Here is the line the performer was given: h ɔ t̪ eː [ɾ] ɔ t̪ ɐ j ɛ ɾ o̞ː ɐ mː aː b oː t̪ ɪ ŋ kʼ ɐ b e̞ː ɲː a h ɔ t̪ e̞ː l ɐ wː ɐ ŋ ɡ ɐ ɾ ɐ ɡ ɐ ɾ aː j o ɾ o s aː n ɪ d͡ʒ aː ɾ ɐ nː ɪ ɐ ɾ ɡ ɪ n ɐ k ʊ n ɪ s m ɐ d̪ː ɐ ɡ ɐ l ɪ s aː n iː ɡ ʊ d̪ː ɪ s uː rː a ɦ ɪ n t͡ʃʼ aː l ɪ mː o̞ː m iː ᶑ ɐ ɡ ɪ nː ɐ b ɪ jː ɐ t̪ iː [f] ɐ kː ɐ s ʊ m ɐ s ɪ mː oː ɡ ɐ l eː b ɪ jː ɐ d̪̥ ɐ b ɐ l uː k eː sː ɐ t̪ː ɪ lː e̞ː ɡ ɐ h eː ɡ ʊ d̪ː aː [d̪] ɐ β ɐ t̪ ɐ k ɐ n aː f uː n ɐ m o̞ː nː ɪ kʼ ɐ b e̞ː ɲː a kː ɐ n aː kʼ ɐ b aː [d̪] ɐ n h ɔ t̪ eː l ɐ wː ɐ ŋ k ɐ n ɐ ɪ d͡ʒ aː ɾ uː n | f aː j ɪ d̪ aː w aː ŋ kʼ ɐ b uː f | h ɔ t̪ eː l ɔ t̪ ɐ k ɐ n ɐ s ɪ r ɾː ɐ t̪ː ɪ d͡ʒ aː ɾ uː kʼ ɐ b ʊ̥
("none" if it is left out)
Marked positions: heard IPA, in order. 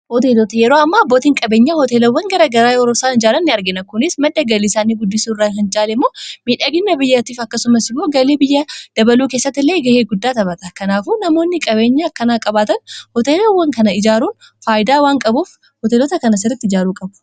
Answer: l, f, t̪, t̪

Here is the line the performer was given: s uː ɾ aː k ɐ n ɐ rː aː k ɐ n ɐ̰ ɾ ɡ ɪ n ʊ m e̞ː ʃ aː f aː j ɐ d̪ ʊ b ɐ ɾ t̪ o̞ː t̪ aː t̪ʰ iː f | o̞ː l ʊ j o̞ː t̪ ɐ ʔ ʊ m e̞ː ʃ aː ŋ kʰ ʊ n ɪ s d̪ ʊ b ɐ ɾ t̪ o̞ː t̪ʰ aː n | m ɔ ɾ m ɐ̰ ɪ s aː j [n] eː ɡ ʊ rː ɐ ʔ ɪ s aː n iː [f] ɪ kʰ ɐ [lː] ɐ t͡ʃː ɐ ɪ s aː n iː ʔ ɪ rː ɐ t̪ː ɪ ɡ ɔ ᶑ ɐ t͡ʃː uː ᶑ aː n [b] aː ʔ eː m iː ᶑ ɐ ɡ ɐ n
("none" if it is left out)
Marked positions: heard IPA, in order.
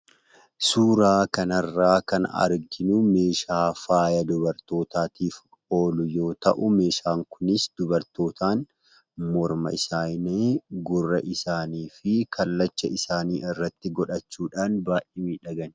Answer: n, f, lː, b

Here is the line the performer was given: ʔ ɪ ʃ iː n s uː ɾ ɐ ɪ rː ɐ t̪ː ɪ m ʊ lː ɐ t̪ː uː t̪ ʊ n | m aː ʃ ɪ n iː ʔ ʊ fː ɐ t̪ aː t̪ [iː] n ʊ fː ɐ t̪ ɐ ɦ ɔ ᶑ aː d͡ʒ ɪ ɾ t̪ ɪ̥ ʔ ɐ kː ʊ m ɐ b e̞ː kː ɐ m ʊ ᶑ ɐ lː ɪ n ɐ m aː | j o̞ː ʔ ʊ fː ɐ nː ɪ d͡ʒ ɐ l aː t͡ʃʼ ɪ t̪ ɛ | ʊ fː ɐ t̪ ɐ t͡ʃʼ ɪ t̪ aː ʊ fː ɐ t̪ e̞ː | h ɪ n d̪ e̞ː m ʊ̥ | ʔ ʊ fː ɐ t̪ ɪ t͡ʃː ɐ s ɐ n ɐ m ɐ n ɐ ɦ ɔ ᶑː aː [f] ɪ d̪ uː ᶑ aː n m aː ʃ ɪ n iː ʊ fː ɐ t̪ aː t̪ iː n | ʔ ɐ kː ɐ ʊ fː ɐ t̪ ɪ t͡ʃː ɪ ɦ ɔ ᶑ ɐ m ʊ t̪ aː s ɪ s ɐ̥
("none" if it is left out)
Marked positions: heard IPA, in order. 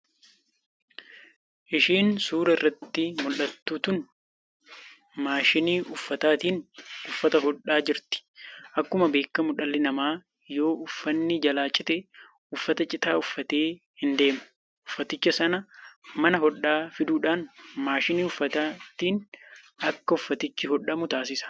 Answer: iː, f

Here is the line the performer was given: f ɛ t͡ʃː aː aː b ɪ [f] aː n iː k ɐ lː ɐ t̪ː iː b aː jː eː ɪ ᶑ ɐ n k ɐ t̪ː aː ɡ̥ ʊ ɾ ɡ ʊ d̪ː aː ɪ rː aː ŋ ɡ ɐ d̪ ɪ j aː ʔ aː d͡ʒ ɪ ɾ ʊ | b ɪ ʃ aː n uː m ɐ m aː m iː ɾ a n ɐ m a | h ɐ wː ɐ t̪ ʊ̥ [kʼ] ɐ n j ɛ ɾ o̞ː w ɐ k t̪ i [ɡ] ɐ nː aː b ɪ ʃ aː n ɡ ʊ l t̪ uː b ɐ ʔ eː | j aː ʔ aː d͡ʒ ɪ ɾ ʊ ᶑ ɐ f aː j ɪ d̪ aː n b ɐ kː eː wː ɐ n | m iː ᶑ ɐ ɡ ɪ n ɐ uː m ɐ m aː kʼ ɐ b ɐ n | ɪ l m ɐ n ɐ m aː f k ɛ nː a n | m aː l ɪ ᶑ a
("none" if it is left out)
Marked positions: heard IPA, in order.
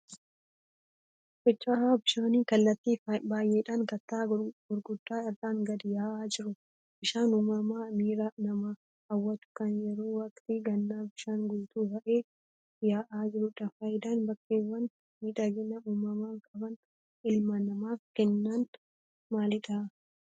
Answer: ʃ, k, ɡ

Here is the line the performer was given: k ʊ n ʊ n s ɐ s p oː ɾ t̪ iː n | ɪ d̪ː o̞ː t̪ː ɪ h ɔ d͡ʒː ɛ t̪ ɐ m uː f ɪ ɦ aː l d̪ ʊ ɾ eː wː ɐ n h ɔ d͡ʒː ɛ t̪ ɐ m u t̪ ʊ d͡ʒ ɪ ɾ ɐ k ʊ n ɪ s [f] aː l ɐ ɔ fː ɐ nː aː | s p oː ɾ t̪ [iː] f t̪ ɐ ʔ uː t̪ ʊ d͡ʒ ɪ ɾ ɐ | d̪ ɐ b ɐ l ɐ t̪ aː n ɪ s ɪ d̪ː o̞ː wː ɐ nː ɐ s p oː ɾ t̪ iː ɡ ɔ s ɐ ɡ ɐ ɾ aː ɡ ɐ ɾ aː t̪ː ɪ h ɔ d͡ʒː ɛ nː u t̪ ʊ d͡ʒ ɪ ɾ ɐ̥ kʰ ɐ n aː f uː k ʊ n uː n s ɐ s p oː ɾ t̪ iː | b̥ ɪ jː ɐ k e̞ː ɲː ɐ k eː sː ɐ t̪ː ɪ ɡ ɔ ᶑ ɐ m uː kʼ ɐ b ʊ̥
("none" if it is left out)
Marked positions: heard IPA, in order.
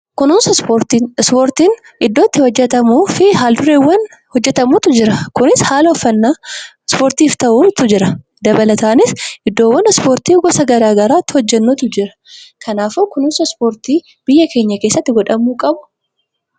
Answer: h, iː

